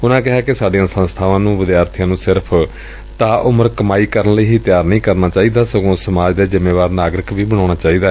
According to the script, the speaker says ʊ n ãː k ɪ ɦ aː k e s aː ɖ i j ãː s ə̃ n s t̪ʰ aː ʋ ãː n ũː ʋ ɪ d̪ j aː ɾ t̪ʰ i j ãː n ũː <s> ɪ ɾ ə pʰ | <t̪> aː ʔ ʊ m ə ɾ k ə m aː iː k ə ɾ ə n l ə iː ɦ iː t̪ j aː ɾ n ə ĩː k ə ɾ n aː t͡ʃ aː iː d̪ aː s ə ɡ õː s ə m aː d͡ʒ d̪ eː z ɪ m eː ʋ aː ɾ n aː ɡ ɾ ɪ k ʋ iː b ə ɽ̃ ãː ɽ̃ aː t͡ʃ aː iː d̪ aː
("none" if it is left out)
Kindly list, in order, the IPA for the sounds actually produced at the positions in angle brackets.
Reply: s, t̪

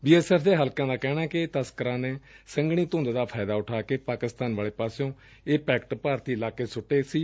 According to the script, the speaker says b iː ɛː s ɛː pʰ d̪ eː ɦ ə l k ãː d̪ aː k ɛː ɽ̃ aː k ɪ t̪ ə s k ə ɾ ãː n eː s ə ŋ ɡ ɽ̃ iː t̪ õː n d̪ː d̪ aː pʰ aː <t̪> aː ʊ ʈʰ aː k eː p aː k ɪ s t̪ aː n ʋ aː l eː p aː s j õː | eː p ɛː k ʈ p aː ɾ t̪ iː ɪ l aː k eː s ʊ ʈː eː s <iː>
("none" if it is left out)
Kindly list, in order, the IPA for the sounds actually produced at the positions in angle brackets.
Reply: d̪, iː

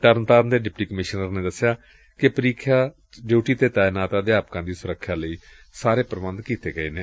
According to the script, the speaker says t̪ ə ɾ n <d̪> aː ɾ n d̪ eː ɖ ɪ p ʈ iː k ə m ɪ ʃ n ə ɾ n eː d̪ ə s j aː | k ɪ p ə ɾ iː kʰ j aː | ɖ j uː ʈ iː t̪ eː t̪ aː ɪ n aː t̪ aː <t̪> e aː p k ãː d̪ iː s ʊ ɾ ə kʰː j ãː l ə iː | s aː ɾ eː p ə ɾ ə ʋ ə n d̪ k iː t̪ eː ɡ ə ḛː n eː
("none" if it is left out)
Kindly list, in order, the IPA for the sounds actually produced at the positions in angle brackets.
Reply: t̪, d̪

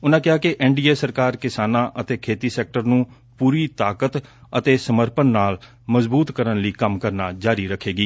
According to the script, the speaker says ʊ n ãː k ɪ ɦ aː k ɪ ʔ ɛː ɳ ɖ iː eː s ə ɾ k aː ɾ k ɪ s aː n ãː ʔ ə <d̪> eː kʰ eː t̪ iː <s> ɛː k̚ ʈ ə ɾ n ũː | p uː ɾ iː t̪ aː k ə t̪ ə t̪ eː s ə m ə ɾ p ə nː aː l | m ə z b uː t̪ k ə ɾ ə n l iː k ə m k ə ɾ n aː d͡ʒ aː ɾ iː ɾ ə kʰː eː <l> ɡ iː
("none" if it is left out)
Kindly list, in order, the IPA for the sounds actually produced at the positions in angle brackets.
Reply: t̪, s, none

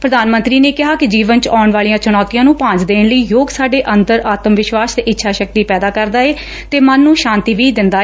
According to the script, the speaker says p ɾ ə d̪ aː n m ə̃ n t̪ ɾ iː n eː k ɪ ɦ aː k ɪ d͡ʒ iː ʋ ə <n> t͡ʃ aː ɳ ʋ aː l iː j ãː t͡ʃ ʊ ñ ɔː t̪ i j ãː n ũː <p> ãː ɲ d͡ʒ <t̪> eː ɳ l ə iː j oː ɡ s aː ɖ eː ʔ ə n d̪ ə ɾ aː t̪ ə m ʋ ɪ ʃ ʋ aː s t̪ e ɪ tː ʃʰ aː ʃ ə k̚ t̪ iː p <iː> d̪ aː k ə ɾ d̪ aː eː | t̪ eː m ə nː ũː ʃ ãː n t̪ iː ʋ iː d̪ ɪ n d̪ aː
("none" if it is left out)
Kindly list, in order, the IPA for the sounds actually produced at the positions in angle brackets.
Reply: n, p, d̪, ɛː

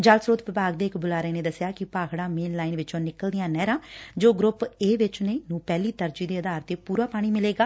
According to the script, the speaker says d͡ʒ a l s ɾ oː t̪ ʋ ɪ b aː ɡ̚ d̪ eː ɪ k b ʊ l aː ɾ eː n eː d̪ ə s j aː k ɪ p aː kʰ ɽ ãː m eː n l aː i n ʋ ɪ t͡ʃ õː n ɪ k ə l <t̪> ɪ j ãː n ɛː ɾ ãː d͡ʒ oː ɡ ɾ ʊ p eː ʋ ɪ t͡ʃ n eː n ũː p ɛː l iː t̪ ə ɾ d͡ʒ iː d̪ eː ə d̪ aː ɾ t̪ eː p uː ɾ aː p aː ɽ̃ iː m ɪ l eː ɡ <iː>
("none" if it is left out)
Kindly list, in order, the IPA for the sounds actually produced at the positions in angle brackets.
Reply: d̪, aː

